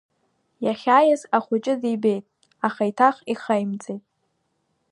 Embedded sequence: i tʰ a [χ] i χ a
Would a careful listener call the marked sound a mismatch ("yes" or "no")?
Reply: no